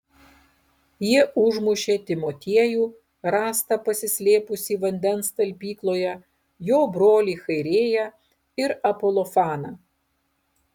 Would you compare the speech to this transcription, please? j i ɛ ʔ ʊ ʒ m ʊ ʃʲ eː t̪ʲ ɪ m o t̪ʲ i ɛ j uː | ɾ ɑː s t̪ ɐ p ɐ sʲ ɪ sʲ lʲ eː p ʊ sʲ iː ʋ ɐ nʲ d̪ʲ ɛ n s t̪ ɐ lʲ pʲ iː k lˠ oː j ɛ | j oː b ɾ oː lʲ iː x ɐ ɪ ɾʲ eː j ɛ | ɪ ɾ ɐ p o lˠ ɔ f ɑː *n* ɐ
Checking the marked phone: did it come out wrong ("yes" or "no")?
no